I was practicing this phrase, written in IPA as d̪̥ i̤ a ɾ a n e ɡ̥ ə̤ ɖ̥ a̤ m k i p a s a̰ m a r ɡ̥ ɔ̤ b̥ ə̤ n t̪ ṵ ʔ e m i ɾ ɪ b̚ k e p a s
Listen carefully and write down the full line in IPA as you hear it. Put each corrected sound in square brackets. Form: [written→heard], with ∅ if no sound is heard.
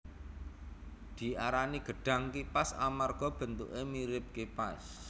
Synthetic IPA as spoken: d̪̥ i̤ a ɾ a n [e→i] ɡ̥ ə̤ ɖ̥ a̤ [m→ŋ] k i p a s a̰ m a r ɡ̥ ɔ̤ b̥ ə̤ n t̪ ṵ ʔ e m i ɾ ɪ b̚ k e p a s